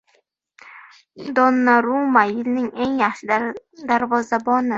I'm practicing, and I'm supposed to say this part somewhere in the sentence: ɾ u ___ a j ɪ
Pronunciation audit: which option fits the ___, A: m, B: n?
A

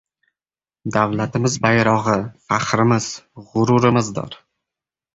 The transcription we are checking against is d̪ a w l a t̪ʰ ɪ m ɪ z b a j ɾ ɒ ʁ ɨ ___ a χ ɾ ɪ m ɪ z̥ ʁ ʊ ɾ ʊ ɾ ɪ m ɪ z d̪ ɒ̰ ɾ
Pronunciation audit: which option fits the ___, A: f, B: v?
A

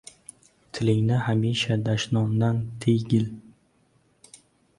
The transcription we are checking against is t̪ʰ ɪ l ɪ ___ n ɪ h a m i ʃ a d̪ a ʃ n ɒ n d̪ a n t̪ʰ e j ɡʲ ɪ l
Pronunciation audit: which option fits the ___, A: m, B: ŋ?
B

